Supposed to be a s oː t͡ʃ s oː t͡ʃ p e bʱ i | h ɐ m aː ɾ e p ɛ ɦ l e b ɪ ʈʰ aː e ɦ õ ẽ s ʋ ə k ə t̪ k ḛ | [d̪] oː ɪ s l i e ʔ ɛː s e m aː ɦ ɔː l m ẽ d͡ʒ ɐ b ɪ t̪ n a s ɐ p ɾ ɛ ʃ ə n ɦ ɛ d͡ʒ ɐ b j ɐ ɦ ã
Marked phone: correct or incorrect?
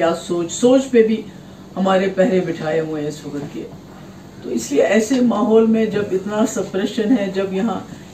incorrect